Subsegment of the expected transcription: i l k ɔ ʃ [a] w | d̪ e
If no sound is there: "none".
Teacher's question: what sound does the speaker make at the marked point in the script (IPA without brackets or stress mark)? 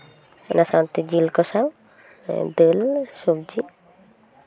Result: a